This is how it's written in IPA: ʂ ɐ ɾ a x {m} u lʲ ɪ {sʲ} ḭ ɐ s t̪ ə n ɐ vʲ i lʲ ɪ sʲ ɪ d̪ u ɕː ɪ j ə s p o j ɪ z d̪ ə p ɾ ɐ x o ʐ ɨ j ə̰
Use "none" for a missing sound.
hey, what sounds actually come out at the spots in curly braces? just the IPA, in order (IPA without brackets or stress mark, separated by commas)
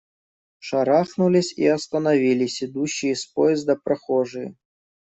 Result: n, sʲ